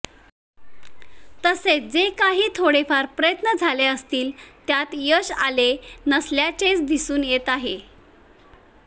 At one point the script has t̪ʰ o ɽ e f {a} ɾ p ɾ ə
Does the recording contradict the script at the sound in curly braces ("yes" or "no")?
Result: no